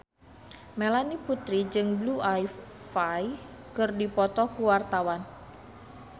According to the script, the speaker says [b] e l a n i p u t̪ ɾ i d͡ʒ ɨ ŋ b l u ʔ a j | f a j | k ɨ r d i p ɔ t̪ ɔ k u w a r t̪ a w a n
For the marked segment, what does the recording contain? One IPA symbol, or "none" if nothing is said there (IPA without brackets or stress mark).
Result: m